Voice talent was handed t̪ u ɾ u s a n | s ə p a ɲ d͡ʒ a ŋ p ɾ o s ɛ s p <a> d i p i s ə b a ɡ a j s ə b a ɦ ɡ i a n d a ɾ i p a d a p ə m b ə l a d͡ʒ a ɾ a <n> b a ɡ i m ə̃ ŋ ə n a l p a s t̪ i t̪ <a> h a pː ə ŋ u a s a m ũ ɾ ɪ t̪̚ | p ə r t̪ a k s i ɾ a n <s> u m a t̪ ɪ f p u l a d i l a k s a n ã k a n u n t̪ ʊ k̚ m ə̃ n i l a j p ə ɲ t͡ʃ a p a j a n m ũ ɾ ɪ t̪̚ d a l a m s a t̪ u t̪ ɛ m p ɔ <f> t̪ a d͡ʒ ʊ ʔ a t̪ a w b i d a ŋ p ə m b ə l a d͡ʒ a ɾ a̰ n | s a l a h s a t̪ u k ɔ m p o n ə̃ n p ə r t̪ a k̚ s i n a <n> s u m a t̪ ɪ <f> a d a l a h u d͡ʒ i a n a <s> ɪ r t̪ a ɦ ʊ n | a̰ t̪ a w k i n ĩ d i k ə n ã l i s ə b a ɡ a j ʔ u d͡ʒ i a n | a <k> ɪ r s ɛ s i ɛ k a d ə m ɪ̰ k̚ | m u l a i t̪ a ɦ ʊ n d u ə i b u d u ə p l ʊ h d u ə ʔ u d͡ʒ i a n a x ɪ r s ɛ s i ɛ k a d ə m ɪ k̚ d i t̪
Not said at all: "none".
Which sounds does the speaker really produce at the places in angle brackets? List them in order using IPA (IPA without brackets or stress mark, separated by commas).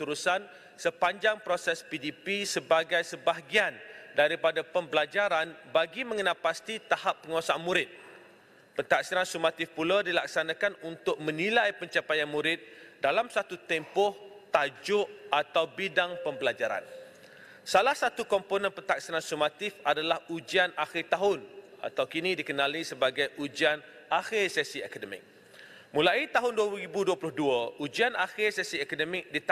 i, n, a, s, h, n, f, x, x